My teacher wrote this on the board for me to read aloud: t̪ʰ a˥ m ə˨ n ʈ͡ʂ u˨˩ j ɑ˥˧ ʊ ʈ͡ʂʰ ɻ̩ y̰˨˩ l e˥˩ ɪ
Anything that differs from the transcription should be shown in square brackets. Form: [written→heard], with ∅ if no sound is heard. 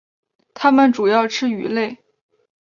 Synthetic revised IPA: t̪ʰ a˥ m ə˨ n ʈ͡ʂ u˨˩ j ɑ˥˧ ʊ ʈ͡ʂʰ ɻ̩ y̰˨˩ l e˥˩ ɪ